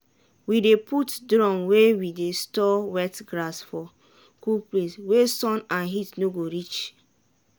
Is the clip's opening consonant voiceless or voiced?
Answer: voiced